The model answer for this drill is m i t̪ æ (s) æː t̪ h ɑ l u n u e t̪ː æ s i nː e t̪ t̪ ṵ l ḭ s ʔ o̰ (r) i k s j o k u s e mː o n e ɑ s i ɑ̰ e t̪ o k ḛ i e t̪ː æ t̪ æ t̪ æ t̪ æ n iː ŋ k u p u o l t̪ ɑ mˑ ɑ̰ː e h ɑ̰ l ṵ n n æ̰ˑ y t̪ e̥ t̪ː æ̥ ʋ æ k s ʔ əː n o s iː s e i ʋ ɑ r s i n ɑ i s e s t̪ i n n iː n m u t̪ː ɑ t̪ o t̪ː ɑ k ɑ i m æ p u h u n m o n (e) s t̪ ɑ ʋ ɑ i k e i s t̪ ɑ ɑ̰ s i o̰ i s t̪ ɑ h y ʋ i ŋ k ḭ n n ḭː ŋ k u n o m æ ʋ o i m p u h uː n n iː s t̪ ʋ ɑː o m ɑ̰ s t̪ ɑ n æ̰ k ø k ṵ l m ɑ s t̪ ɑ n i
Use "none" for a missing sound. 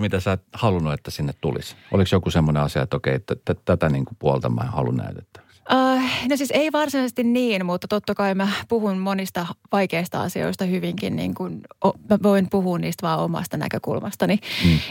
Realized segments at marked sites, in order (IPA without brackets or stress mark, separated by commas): s, l, i